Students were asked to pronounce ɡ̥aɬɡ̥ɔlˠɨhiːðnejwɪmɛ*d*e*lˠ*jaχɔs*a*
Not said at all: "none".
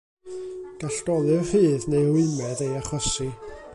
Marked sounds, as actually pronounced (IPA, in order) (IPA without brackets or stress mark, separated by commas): d, none, i